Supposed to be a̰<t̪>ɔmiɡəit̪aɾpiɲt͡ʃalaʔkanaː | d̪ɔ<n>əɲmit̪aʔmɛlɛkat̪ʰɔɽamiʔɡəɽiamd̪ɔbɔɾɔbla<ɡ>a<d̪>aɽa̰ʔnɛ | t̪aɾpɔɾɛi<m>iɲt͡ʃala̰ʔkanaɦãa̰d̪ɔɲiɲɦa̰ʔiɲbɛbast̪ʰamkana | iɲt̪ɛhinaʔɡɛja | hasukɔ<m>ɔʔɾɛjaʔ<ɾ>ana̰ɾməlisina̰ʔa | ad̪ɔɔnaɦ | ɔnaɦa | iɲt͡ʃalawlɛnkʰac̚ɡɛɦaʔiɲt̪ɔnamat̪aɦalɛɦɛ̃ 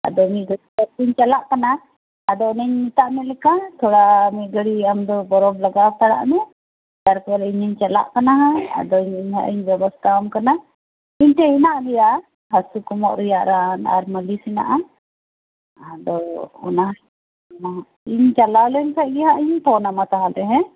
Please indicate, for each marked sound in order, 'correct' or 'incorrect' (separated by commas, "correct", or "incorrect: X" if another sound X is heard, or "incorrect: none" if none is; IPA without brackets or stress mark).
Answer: incorrect: d̪, correct, correct, incorrect: t̪, incorrect: ɲ, correct, correct